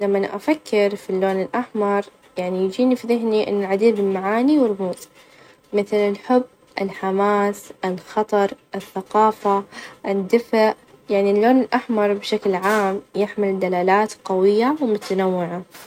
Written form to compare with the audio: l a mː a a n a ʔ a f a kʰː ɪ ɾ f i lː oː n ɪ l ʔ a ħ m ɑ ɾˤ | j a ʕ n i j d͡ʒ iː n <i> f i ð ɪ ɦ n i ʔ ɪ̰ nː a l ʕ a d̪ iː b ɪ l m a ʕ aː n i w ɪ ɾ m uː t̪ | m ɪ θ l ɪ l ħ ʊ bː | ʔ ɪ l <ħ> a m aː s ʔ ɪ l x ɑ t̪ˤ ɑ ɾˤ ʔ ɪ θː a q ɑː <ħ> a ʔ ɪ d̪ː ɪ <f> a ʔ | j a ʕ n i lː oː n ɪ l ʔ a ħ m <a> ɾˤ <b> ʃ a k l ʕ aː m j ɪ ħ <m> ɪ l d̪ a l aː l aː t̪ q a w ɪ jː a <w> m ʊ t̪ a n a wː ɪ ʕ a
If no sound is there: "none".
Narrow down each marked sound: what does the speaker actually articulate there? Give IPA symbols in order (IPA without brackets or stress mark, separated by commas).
i, ħ, f, f, ɑ, b, m, w